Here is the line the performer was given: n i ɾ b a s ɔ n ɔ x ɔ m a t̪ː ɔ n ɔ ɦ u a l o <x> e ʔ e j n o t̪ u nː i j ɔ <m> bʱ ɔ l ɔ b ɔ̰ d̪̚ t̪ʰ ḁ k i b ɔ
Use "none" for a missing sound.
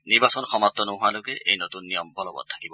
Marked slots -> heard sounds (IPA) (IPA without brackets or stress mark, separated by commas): k, m